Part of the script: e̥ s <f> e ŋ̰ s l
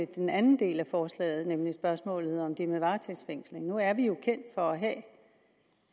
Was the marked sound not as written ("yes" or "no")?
no